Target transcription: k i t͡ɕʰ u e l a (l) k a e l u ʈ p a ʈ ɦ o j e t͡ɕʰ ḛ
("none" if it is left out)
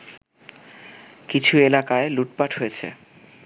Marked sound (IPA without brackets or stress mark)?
none